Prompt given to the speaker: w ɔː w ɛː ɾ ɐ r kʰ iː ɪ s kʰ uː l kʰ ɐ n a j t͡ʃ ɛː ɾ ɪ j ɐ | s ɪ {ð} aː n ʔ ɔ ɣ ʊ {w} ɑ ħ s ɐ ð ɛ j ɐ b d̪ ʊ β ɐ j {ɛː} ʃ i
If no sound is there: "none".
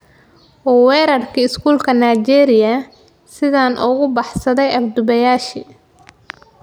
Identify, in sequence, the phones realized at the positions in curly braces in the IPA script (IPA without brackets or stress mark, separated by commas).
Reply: ð, b, aː